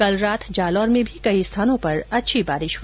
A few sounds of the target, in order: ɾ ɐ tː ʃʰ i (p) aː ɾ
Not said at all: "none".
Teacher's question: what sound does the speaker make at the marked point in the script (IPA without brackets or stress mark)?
b